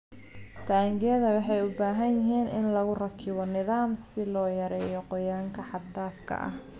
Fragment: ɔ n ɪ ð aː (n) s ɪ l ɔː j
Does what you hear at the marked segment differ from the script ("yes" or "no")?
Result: yes